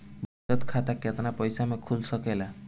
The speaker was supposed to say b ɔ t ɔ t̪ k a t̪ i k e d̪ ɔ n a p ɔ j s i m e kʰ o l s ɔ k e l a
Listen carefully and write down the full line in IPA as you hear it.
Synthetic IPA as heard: b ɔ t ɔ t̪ kʰ a t̪ a k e t̪ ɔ n a p ɔ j s a m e kʰ u l s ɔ k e l a